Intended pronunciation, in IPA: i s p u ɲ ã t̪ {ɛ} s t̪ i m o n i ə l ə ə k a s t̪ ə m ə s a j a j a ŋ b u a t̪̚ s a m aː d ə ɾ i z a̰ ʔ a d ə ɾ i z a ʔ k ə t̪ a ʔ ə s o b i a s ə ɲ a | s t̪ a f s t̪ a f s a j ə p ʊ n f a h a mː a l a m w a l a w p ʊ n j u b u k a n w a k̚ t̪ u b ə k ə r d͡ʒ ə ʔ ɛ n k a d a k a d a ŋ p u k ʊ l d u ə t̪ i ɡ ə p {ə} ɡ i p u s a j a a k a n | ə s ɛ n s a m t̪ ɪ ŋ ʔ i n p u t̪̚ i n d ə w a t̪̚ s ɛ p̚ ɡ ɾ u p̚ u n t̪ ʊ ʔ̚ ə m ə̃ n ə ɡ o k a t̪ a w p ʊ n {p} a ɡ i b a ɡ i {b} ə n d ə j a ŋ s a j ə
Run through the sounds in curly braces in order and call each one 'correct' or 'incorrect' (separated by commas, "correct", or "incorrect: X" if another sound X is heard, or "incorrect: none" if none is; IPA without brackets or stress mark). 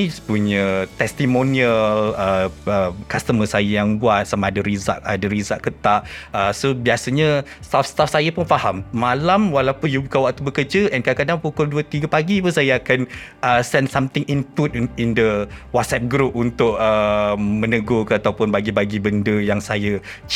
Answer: correct, incorrect: a, incorrect: b, correct